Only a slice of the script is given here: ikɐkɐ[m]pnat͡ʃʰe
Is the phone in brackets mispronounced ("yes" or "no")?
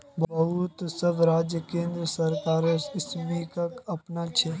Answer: yes